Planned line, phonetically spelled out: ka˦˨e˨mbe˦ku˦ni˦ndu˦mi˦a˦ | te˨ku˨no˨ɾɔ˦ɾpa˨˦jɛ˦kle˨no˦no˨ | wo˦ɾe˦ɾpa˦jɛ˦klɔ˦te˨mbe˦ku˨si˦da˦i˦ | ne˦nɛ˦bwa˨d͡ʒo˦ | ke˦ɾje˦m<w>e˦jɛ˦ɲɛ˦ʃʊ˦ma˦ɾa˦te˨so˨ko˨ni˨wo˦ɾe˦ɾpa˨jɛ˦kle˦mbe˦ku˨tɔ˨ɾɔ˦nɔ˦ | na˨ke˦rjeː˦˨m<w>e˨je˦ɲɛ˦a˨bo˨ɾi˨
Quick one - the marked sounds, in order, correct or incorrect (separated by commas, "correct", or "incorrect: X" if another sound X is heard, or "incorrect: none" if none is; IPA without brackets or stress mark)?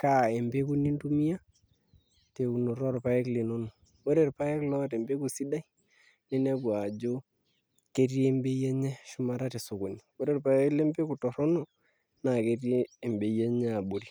incorrect: b, incorrect: b